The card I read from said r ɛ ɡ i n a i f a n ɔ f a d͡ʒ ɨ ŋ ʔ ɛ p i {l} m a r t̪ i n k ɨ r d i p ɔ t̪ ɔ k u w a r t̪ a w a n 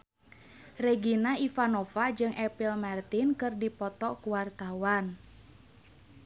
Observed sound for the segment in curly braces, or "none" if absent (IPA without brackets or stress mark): l